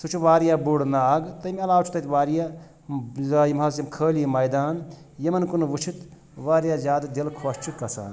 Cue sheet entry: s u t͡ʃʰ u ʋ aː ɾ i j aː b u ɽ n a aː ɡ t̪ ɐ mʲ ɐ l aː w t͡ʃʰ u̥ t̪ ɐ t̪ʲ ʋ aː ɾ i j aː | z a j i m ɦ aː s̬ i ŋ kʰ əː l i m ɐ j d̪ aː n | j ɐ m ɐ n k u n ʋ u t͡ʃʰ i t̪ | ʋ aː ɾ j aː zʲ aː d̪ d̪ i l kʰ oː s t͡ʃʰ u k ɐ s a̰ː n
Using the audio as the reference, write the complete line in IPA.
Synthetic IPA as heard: s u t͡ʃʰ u ʋ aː ɾ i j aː b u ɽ n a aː ɡ t̪ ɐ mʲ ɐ l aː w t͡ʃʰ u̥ t̪ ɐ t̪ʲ ʋ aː ɾ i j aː | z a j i m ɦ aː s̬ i m kʰ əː l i m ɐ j d̪ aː n | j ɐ m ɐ n k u n ʋ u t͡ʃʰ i t̪ | ʋ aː ɾ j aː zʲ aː d̪ d̪ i l kʰ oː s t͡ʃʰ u k ɐ s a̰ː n